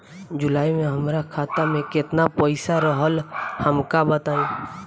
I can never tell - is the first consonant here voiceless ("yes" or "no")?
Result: no